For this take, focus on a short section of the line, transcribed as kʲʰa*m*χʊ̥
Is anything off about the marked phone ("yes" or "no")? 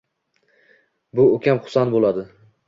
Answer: no